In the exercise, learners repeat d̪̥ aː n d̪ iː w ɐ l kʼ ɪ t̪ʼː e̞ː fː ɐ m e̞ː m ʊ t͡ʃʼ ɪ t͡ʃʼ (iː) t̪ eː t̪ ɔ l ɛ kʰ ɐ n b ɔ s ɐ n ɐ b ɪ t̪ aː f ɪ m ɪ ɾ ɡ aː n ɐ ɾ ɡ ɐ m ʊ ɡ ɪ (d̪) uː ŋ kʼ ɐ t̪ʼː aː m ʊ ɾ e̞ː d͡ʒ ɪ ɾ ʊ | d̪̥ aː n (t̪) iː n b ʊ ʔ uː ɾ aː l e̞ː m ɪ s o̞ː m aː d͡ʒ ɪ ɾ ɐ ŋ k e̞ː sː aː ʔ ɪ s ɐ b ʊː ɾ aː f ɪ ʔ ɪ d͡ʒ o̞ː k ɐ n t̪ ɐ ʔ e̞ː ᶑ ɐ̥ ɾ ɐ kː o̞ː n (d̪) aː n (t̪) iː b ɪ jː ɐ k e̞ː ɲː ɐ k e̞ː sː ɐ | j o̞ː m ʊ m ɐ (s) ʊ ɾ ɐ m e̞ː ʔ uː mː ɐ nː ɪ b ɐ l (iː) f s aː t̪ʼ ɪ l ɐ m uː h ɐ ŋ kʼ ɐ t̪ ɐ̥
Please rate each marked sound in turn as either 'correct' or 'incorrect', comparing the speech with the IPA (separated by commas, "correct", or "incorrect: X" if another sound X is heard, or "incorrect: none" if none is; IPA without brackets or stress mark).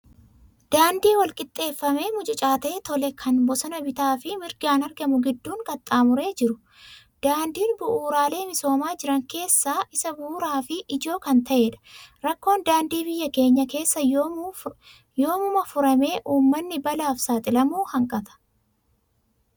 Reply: incorrect: aː, incorrect: d̪ː, incorrect: d̪, correct, incorrect: d̪, incorrect: f, incorrect: aː